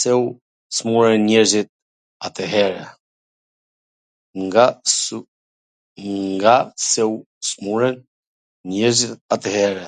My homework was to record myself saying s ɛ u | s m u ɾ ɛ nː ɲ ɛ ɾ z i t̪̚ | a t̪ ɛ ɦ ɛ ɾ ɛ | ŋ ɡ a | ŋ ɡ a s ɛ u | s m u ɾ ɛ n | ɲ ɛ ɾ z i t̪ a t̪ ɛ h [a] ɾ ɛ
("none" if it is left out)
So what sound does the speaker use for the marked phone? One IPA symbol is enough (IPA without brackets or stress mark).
ɛ